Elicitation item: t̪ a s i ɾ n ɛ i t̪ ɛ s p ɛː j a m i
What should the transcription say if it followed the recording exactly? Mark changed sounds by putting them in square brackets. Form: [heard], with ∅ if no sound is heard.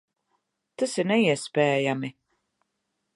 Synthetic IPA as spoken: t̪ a s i ɾ n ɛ i [∅] ɛ s p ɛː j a m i